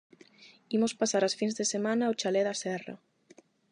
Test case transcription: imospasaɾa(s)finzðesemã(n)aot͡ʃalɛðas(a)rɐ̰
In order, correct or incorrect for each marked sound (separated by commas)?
correct, correct, incorrect